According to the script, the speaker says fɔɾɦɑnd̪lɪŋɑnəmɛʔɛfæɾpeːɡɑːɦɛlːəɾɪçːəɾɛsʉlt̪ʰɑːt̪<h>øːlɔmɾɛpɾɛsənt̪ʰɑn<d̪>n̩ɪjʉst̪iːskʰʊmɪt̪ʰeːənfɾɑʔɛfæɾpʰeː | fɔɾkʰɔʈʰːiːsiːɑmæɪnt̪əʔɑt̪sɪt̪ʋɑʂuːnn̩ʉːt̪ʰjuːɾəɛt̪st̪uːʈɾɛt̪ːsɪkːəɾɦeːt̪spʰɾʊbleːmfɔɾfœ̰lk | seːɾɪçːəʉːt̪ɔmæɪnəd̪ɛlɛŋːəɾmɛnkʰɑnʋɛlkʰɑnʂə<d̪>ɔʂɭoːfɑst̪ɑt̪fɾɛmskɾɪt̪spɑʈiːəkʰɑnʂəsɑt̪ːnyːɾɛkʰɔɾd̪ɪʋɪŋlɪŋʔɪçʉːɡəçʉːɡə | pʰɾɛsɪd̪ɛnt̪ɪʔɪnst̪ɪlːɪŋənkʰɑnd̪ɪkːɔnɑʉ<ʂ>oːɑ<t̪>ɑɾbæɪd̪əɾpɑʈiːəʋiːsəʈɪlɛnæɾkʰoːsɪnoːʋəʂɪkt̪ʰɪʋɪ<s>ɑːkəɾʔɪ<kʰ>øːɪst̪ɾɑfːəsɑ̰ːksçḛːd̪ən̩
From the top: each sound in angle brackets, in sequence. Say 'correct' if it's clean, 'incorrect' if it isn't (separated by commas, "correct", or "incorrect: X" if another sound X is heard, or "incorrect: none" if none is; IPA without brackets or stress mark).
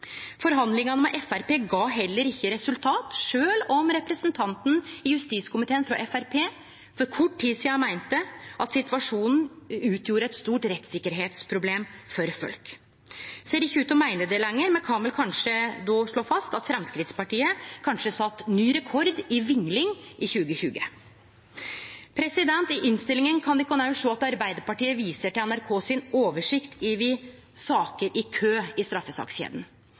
incorrect: ʂ, incorrect: t̪, correct, correct, correct, correct, correct